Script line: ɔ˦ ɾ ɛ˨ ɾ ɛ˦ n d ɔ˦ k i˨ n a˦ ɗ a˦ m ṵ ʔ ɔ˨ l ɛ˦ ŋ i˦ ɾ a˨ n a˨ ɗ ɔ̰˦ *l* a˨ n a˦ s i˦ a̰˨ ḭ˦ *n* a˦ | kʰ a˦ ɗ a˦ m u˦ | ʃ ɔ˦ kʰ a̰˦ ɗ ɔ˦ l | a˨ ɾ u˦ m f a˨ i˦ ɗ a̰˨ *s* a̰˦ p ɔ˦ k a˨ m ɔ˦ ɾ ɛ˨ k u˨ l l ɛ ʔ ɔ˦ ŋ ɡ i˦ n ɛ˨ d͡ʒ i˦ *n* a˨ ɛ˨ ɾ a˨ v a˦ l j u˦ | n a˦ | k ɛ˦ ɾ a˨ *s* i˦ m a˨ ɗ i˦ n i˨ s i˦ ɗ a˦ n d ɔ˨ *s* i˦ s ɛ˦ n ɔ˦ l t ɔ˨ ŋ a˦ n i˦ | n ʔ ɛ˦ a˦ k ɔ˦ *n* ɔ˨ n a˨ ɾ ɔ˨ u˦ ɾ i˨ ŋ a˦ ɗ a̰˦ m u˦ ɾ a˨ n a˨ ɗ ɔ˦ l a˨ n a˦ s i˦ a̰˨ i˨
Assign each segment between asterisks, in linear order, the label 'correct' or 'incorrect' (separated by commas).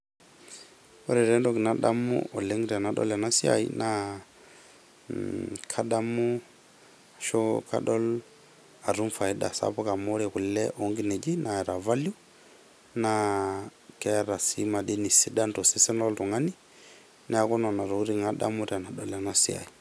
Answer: correct, correct, correct, correct, correct, correct, correct